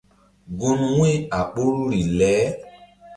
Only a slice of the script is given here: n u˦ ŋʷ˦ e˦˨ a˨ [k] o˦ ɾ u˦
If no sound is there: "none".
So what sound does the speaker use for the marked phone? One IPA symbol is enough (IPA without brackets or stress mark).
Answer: k͡p